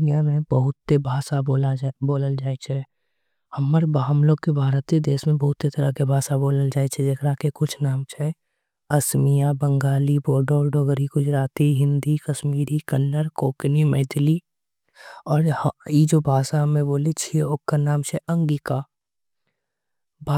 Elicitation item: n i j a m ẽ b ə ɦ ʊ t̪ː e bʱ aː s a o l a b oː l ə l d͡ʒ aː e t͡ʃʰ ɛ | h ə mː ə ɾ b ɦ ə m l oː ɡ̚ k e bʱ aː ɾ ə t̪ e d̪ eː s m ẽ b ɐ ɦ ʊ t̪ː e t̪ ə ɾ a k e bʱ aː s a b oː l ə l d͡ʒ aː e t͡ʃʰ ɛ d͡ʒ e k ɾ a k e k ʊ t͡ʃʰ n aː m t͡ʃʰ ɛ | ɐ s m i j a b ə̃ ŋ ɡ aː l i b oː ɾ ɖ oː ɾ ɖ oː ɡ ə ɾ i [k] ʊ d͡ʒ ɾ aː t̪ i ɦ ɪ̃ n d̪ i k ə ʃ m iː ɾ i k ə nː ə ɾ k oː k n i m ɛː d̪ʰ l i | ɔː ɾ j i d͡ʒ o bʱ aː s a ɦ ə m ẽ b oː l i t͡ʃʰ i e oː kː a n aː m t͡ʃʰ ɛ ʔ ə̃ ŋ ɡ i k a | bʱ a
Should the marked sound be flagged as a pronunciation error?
yes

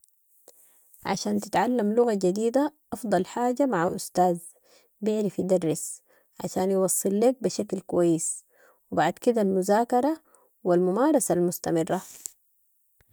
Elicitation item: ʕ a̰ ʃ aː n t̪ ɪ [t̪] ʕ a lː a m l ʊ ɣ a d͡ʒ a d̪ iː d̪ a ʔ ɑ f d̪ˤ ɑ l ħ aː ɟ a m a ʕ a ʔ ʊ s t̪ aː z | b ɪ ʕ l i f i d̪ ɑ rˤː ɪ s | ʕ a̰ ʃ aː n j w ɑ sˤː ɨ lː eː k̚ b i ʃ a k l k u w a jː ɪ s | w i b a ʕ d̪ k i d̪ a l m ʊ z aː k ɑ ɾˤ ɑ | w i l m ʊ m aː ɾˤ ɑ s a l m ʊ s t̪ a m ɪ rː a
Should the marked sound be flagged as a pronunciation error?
no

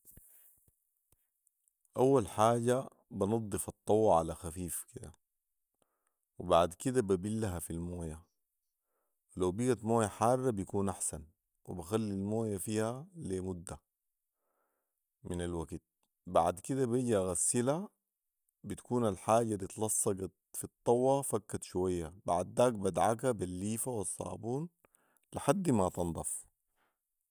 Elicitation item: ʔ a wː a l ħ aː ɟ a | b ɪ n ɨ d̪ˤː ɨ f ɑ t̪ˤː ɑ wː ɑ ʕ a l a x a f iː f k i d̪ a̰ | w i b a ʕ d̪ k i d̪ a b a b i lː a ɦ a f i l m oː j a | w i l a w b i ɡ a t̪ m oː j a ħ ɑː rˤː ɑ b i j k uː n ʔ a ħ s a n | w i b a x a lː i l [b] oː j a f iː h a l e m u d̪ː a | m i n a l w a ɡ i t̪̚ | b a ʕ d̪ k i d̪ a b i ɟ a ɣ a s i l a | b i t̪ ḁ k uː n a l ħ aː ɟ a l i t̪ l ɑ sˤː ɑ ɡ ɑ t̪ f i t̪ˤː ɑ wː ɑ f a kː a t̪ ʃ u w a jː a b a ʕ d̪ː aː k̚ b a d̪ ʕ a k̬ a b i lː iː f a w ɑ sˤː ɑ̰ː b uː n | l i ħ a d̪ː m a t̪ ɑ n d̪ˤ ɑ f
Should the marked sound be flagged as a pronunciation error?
yes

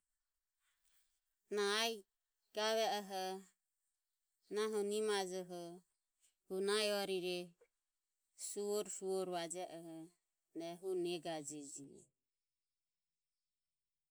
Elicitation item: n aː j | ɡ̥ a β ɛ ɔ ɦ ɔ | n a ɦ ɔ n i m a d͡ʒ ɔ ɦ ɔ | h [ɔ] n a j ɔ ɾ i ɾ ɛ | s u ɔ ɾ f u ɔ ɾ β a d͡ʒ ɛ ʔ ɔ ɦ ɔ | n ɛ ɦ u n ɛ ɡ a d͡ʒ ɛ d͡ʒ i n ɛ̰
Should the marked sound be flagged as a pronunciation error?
yes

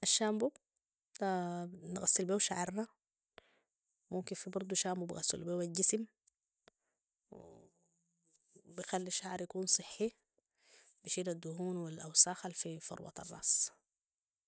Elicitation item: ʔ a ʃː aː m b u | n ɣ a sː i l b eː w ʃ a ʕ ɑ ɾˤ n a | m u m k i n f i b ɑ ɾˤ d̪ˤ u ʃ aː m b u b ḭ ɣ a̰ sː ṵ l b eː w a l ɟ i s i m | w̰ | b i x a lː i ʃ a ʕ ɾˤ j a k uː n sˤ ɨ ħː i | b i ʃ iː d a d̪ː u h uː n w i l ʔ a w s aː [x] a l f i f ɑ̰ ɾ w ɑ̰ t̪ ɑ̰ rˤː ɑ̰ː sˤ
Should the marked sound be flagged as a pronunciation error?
no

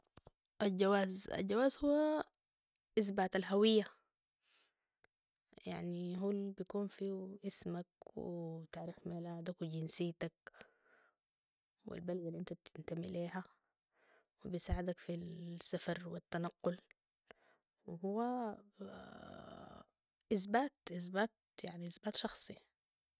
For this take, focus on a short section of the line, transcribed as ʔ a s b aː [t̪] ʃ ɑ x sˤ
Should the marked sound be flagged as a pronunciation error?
no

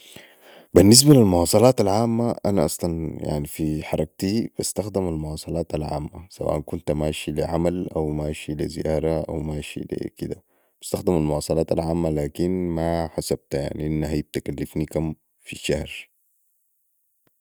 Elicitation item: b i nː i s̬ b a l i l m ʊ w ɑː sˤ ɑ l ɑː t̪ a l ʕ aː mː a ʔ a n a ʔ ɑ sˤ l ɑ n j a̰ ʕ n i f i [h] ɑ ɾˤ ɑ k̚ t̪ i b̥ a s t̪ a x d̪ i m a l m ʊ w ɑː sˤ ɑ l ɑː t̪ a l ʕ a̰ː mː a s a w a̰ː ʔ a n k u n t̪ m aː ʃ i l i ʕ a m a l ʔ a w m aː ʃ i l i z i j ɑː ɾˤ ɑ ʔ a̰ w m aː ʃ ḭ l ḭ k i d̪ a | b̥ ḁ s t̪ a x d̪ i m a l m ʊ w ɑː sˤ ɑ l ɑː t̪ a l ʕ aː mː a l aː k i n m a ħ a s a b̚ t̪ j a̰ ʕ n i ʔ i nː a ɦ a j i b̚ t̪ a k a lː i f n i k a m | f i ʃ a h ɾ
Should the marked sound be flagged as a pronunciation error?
yes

